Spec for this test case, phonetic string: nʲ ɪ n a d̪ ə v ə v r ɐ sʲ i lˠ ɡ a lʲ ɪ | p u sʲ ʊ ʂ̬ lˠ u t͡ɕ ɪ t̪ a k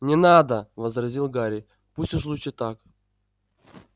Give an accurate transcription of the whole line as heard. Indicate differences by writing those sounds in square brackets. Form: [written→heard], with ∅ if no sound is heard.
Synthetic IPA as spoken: nʲ ɪ n a d̪ ə v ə [v→z] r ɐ [sʲ→zʲ] i lˠ ɡ a [lʲ→ɾʲ] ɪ | p u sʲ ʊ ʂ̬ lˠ u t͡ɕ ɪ t̪ a k